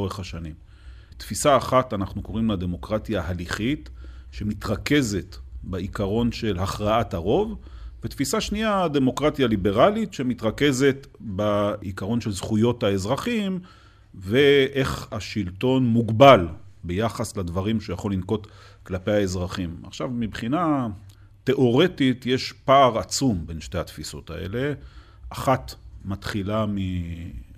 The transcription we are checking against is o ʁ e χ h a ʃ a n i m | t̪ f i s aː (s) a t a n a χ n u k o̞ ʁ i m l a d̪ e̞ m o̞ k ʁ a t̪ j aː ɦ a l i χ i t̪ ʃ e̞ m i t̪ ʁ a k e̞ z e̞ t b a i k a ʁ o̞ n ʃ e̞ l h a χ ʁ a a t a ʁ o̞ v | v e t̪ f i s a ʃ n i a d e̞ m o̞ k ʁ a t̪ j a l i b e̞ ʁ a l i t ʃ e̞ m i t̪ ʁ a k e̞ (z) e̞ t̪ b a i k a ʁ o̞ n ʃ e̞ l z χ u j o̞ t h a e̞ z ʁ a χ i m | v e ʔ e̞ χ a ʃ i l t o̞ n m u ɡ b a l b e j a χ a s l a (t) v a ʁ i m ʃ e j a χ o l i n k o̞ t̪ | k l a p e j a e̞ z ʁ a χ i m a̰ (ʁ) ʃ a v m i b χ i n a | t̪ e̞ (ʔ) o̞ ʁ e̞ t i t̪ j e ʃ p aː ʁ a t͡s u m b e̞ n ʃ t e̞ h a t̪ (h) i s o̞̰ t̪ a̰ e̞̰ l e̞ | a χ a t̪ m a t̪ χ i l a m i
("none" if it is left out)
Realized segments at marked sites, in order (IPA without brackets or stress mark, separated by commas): χ, z, d, χ, ʔ, f